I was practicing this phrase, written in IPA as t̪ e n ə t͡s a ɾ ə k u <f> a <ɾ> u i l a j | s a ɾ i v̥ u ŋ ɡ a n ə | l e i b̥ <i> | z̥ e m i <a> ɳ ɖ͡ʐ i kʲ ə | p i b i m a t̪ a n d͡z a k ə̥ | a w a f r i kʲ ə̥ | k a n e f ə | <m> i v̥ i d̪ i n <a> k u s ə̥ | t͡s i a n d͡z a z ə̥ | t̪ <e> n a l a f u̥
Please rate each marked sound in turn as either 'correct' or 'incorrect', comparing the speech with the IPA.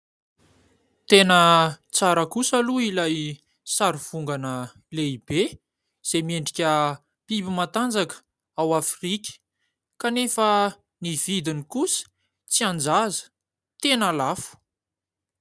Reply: incorrect: s, incorrect: l, incorrect: e, incorrect: e, incorrect: n, incorrect: i, correct

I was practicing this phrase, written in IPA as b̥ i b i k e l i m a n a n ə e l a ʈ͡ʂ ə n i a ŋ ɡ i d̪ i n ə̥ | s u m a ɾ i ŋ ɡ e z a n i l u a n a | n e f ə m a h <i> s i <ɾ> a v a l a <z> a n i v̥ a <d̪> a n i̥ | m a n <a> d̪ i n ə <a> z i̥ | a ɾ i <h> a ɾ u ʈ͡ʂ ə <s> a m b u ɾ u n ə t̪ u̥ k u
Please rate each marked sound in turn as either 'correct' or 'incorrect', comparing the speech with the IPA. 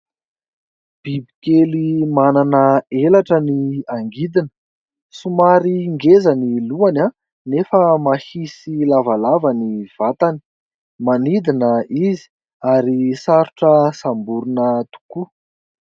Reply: correct, incorrect: l, incorrect: v, incorrect: t̪, incorrect: i, incorrect: i, incorrect: s, correct

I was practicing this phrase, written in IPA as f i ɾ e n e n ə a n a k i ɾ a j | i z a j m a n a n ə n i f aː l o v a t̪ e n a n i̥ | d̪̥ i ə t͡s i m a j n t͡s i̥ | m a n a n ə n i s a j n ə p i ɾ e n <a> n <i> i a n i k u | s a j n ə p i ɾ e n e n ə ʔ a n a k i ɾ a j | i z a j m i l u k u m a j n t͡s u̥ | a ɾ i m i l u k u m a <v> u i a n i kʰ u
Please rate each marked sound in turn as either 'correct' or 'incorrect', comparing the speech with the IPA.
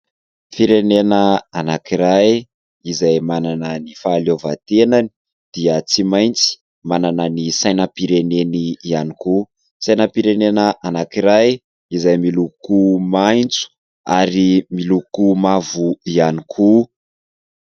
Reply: incorrect: e, correct, correct

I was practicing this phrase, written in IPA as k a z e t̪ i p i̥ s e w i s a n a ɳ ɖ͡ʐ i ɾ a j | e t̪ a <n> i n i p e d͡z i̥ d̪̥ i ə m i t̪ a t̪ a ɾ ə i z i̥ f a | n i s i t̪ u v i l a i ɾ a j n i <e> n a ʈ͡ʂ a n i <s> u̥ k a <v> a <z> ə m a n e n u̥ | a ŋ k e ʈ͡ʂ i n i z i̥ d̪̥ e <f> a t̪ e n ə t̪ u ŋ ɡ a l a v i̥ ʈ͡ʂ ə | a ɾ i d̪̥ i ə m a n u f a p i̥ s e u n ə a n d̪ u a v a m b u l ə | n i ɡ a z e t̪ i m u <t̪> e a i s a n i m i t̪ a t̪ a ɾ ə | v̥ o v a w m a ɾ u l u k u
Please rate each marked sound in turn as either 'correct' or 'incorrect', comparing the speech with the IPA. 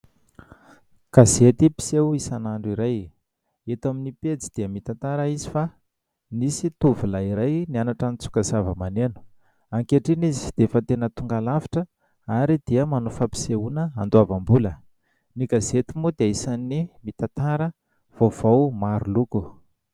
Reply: incorrect: m, incorrect: a, incorrect: t͡s, incorrect: z, incorrect: v, correct, incorrect: d̪

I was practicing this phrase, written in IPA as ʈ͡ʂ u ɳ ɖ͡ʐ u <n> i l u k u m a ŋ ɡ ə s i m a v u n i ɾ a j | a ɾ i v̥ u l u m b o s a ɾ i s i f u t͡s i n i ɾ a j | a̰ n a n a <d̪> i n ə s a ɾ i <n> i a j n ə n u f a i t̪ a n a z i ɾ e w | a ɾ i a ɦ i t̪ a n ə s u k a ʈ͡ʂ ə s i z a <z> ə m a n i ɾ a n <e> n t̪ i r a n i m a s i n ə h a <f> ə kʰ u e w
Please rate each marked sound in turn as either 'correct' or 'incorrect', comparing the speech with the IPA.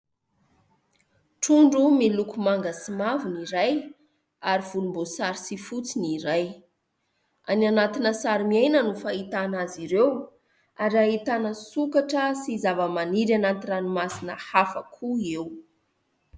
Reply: incorrect: m, incorrect: t̪, incorrect: m, incorrect: v, incorrect: a, correct

